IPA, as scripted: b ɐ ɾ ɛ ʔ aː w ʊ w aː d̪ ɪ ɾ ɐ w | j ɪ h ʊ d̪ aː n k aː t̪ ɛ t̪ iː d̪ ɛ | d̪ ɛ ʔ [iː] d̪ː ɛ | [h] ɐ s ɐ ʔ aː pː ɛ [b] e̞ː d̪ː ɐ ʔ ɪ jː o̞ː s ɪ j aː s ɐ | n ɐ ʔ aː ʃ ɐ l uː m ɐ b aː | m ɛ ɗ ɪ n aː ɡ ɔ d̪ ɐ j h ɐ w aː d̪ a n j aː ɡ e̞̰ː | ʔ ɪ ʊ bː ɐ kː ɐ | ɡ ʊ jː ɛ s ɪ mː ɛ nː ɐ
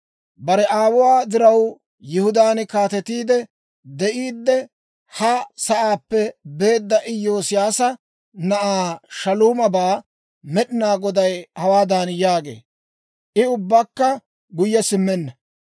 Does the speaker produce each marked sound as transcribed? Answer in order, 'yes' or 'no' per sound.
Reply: yes, yes, yes

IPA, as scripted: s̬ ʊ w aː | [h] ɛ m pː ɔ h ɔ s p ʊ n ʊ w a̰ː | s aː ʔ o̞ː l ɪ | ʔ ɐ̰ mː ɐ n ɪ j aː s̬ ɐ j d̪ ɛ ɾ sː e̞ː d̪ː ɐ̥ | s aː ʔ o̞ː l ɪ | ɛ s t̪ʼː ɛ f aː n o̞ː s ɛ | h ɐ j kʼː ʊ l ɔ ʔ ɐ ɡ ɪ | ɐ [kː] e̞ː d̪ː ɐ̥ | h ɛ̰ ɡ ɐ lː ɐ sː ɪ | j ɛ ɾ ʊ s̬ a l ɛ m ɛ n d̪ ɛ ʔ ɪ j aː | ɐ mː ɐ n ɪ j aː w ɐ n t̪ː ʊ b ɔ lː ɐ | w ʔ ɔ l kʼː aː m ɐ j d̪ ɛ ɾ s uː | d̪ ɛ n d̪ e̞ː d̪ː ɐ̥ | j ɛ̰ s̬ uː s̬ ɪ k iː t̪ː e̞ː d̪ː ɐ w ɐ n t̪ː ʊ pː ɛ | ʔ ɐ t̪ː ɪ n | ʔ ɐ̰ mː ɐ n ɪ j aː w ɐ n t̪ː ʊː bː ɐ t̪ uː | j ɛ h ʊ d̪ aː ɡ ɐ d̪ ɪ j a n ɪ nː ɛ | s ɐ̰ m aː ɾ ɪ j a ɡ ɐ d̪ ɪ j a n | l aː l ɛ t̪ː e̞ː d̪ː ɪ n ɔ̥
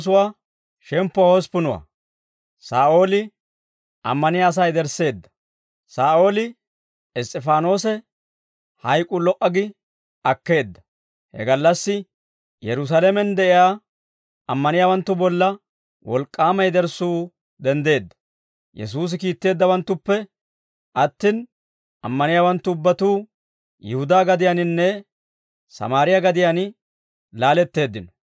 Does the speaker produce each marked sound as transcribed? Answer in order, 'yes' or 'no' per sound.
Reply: no, yes

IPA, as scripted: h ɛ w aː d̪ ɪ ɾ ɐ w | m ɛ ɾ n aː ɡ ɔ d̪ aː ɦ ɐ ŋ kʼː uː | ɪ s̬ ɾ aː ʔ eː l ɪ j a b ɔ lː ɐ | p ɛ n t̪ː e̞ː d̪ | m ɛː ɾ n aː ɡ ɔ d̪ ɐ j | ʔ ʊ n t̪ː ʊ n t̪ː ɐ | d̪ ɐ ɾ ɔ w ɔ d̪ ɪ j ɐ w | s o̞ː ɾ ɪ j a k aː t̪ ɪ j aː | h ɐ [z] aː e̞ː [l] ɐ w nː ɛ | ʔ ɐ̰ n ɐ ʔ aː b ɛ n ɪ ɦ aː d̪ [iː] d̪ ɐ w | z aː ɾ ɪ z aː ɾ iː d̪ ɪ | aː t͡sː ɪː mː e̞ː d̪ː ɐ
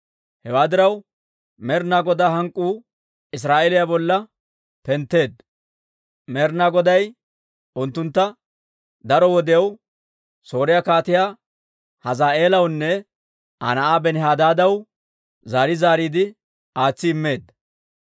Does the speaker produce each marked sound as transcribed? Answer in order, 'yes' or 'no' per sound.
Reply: yes, yes, no

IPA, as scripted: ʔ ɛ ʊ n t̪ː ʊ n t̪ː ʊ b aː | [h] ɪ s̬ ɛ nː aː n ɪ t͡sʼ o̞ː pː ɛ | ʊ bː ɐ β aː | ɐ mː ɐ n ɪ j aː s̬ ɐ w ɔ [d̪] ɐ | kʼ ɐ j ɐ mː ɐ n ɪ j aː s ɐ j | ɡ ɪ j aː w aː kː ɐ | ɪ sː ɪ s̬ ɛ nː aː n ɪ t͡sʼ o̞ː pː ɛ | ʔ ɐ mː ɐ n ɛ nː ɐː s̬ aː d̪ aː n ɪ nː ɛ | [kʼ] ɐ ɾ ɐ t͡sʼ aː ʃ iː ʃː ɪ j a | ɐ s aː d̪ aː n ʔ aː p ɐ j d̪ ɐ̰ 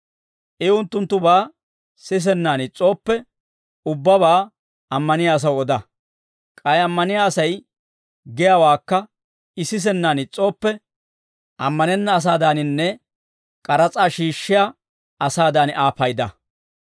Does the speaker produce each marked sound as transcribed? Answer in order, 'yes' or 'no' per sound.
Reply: no, yes, yes

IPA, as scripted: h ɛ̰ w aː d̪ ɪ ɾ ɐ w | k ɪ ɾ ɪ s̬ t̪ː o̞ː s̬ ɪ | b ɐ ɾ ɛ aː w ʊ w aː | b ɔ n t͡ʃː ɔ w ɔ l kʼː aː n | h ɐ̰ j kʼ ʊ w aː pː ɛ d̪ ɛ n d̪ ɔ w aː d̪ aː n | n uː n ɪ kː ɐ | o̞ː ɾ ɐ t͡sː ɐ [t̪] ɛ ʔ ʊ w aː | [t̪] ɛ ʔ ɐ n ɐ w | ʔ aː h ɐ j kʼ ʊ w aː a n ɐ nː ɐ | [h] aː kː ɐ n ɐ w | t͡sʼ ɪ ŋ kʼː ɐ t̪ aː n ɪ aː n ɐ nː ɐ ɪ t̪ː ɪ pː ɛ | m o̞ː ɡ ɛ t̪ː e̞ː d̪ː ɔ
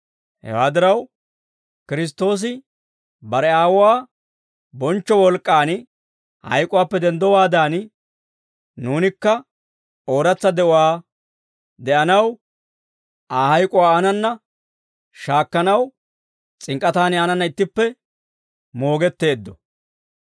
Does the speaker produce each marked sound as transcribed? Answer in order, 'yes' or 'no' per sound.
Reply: no, no, no

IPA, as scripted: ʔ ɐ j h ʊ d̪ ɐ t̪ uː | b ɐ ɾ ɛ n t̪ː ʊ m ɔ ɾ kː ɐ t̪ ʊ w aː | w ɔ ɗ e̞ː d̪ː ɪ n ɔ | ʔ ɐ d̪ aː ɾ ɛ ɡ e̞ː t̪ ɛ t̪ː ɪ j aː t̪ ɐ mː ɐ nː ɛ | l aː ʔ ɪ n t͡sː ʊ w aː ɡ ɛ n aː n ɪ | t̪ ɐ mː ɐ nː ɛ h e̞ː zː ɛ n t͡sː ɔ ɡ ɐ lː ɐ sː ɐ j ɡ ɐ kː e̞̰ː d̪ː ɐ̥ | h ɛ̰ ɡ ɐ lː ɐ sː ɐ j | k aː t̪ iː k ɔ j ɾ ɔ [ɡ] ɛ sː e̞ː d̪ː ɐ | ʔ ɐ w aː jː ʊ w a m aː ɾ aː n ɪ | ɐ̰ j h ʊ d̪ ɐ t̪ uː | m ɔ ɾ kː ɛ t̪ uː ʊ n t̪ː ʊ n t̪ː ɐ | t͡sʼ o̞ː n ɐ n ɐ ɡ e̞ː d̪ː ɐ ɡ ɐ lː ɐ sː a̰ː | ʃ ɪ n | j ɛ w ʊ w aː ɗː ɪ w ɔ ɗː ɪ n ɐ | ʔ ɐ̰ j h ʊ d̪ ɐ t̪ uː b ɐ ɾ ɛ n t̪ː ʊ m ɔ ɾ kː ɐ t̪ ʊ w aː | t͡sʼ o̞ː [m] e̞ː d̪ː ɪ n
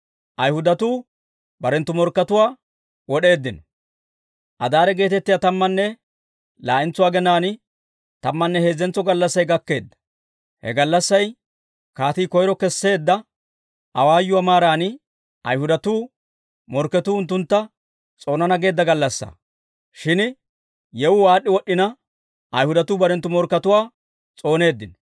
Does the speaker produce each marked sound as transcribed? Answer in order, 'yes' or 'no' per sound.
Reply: no, no

